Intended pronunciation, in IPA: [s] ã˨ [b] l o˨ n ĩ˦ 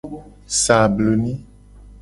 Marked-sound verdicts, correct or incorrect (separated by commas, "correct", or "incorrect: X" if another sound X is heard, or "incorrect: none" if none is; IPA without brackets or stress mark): correct, correct